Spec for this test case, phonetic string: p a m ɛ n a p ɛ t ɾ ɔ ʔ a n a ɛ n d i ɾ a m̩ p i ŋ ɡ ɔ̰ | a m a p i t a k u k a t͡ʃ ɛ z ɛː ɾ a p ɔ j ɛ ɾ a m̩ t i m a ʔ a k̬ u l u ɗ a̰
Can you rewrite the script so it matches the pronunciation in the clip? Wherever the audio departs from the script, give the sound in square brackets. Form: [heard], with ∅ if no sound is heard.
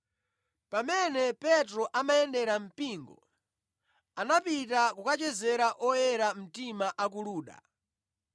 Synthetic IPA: p a m ɛ n [ɛ] p ɛ t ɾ ɔ ʔ a [m] a ɛ n d [ɛ] ɾ a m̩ p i ŋ ɡ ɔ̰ | a [n] a p i t a k u k a t͡ʃ ɛ z [ɛ] ɾ a [ʔ] ɔ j ɛ ɾ a m̩ t i m a ʔ a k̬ u l [uː] ɗ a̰